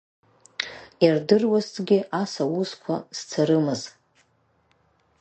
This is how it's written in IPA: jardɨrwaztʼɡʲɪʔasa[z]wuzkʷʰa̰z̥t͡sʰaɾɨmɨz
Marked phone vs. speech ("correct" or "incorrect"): incorrect